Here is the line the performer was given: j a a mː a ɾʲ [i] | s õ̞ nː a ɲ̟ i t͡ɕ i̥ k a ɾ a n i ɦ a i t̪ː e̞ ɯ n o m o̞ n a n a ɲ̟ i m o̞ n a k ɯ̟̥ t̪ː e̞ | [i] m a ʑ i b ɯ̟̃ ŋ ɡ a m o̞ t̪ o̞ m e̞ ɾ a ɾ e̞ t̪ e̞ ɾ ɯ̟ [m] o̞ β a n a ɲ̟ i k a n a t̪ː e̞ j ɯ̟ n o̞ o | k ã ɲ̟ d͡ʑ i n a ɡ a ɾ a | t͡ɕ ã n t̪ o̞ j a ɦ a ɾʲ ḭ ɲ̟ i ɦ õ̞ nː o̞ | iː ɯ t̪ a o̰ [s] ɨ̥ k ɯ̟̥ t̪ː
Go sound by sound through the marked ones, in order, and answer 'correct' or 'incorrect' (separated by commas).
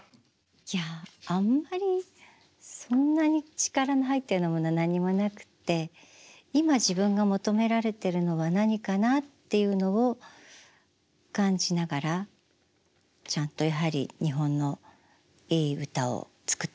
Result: correct, correct, incorrect, incorrect